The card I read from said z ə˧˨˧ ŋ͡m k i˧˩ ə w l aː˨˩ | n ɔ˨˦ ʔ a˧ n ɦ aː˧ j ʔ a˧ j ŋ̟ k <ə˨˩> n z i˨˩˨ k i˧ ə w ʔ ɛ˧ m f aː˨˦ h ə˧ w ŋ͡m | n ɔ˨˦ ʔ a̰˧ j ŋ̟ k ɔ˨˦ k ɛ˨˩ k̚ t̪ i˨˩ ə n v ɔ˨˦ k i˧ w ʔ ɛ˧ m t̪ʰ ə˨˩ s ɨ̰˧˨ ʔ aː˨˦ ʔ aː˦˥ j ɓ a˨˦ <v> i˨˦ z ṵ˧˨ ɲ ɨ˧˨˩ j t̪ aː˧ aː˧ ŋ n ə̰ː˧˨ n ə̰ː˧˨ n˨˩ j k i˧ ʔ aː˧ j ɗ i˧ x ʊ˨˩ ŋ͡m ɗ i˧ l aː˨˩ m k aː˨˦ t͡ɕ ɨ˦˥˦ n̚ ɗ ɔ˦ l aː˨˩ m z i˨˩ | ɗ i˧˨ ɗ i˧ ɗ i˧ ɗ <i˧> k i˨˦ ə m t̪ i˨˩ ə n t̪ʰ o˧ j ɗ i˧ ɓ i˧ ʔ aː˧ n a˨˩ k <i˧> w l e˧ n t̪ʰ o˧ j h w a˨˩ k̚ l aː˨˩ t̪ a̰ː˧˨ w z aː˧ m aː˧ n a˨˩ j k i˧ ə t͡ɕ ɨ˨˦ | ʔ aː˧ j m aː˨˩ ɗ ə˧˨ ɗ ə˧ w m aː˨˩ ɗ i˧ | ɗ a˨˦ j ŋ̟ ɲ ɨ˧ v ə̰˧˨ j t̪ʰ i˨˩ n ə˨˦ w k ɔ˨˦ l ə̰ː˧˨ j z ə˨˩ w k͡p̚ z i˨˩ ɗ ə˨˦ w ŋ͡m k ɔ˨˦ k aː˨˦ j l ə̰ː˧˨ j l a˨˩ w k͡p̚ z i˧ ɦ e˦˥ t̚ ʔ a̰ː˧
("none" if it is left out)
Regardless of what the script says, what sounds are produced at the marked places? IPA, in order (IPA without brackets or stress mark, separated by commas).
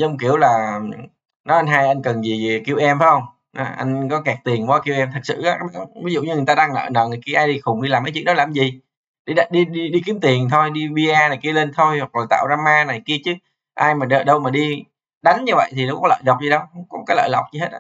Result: ə˨˩, v, i˧, i˧